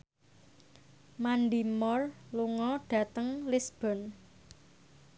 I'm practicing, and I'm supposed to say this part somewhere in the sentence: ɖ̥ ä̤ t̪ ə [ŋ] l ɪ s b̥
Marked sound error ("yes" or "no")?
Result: no